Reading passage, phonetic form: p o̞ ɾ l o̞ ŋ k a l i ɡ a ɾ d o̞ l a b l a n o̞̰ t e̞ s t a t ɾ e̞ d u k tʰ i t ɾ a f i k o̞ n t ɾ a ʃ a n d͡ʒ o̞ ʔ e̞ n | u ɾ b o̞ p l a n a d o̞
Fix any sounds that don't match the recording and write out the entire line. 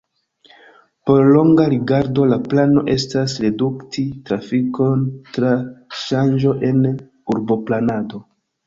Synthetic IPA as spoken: p o̞ ɾ l o̞ ŋ ɡ a ɾ i ɡ a ɾ d o̞ l a p l a n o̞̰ ʔ e̞ s t a s ɾ e̞ d u k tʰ i t ɾ a f i k o̞ n t ɾ a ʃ a n d͡ʒ o̞ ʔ e̞ n | u ɾ b o̞ p l a n a d o̞